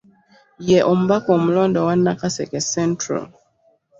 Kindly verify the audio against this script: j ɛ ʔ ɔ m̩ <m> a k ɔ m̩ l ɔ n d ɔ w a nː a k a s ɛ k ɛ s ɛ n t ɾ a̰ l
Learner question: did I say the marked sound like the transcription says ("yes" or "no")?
no